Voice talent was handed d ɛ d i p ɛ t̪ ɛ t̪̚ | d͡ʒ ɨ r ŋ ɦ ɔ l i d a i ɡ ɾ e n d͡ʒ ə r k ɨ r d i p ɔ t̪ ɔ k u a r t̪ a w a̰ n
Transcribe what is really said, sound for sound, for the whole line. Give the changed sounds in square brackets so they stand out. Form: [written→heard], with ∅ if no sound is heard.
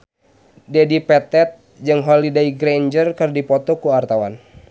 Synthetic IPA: d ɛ d i p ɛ t̪ ɛ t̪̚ | d͡ʒ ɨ [r→∅] ŋ ɦ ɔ l i d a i ɡ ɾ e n d͡ʒ ə r k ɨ r d i p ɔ t̪ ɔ k u a r t̪ a w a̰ n